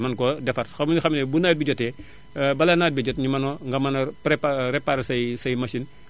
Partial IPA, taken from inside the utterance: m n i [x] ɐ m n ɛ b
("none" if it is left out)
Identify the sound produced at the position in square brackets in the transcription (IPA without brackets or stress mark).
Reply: x